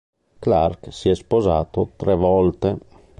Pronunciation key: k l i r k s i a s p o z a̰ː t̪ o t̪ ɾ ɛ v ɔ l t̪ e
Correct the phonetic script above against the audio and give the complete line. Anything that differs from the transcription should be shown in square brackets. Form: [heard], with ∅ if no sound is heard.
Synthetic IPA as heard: k l [a] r k s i [ɛ] s p o z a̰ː t̪ o t̪ ɾ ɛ v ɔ l t̪ e